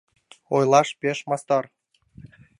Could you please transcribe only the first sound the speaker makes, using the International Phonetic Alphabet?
o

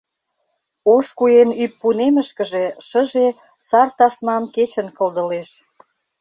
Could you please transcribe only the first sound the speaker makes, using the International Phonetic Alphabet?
o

